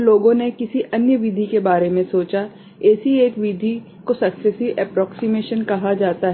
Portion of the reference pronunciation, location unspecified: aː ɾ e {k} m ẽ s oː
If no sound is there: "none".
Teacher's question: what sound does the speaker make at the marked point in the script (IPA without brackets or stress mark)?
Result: none